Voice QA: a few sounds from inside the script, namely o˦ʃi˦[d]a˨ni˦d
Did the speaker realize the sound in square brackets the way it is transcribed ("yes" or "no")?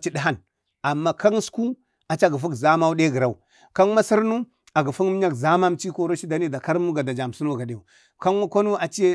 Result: yes